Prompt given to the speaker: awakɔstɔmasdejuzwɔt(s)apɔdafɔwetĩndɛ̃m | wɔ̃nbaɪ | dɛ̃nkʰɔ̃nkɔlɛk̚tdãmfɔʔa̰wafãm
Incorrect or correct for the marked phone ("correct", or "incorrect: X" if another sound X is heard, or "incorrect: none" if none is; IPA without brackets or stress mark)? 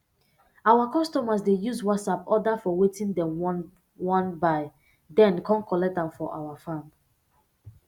correct